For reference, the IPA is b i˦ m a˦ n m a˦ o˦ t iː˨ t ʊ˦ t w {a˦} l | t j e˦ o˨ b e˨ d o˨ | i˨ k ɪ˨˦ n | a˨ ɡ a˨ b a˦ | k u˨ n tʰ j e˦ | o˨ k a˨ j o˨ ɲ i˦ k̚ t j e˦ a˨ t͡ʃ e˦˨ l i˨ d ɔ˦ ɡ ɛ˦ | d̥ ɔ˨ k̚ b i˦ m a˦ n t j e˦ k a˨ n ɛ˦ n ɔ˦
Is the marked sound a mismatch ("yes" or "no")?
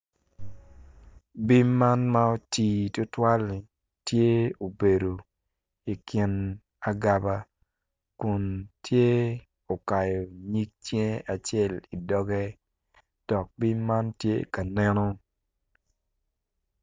no